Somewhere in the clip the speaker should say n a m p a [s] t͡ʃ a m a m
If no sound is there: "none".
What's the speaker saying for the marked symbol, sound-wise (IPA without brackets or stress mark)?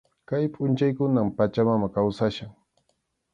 none